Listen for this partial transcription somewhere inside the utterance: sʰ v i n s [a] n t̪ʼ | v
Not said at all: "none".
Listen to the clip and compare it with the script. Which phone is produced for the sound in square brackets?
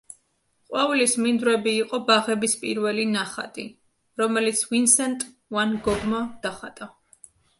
ɛ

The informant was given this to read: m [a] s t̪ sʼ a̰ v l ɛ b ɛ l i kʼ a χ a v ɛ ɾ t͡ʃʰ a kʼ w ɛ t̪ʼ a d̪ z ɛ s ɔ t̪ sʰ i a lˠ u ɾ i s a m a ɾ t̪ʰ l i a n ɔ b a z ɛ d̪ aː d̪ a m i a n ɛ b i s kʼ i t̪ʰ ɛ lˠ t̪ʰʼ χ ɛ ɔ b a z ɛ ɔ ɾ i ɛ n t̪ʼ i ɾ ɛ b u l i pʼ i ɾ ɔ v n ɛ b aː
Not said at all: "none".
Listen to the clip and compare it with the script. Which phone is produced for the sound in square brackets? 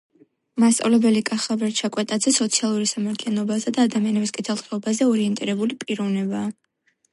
a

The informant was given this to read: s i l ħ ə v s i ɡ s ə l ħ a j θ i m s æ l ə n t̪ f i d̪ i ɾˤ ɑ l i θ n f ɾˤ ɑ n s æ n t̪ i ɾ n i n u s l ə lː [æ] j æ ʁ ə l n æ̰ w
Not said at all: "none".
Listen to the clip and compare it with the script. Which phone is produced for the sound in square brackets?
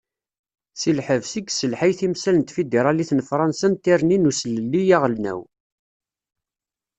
i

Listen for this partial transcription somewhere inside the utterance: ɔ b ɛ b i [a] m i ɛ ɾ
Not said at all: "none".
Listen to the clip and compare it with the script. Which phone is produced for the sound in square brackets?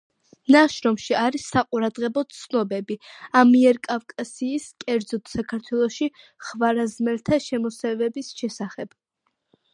a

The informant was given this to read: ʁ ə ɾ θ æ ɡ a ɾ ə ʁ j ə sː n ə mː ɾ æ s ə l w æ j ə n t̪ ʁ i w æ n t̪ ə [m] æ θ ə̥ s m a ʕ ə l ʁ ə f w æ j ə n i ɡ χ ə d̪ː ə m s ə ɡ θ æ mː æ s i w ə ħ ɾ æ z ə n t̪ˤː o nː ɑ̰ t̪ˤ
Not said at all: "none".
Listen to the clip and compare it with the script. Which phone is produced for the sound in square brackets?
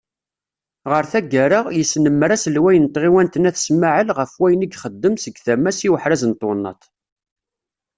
n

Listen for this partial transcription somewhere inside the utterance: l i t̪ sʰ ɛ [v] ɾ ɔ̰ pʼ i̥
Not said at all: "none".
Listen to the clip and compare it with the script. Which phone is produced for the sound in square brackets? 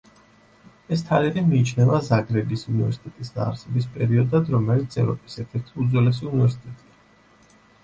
v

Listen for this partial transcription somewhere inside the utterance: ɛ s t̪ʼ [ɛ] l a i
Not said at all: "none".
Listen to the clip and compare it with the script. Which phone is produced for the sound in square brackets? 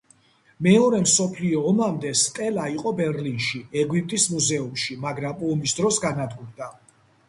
ɛ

